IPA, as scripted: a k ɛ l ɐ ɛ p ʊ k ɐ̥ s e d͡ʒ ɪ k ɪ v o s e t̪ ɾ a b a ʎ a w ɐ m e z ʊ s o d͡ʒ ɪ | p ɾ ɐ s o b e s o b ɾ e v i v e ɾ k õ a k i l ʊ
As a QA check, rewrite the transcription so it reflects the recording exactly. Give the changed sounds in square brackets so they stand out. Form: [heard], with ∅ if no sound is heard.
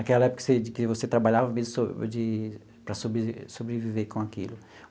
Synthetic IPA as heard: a k ɛ l ɐ ɛ p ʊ k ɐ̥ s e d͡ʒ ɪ k ɪ v o s e t̪ ɾ a b a ʎ a [v] ɐ m e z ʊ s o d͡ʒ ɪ | p ɾ ɐ s o b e s o b ɾ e v i v e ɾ k õ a k i l ʊ